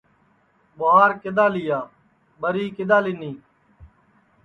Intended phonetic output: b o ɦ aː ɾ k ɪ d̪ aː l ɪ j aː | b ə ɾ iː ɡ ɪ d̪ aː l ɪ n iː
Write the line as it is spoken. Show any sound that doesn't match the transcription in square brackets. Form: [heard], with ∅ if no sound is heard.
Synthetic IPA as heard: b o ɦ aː ɾ k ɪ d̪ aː l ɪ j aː | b ə ɾ iː [k] ɪ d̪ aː l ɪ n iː